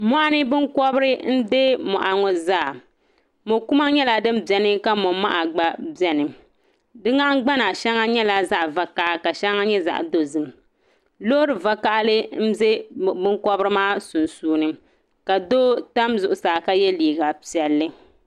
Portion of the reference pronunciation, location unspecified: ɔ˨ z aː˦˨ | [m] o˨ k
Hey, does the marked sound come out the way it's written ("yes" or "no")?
yes